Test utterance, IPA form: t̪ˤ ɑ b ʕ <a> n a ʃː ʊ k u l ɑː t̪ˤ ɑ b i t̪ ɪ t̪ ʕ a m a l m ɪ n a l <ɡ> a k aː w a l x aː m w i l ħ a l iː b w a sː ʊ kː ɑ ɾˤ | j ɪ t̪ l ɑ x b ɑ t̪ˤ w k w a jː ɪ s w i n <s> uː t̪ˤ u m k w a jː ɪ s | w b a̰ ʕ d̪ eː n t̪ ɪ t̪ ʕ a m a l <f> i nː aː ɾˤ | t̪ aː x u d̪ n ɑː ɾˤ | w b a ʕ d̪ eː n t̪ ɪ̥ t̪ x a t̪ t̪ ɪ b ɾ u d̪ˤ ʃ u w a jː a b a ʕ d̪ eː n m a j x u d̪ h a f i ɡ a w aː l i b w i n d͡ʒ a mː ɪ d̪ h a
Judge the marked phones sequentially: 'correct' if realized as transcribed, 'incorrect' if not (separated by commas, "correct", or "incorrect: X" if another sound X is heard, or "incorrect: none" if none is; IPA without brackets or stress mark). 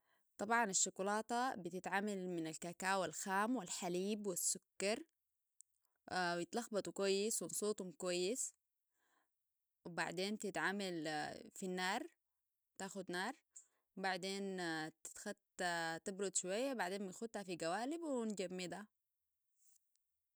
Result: incorrect: ɑ, incorrect: k, correct, correct